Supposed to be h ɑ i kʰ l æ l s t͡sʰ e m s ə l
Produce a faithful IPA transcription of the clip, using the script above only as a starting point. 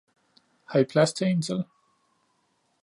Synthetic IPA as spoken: h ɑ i pʰ l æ s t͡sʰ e n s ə l